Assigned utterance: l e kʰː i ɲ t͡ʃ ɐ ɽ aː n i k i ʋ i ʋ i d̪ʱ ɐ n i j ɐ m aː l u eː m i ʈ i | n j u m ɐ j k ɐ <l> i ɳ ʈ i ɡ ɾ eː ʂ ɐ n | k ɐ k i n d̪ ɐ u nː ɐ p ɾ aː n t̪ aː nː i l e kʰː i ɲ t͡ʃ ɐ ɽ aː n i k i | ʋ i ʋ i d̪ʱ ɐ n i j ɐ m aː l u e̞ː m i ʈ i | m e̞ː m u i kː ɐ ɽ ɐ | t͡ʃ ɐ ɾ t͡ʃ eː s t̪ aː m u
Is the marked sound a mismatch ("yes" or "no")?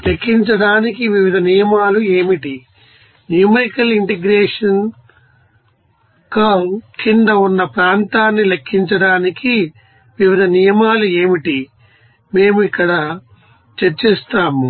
no